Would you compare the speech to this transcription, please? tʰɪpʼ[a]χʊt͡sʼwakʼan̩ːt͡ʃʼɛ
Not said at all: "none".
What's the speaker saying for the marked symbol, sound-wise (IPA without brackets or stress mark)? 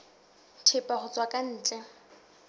a